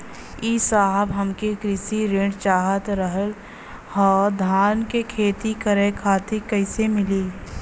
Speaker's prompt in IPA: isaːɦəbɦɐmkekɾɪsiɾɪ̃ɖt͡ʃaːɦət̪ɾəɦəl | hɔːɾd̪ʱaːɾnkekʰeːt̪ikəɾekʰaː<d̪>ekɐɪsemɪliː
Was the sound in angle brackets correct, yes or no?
no